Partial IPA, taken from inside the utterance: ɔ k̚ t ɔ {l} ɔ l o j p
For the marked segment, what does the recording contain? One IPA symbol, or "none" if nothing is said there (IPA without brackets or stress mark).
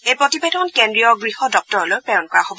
ɹ